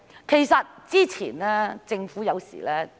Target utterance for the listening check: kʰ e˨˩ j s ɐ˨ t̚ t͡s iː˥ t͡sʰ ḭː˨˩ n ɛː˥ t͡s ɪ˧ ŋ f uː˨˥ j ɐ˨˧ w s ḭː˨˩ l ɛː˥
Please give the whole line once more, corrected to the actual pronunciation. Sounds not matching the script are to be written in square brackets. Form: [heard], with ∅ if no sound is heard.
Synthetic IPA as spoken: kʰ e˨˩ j s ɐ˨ t̚ t͡s iː˥ t͡sʰ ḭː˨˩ n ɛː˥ t͡s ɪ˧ ŋ f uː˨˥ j ɐ˨˧ w s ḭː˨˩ l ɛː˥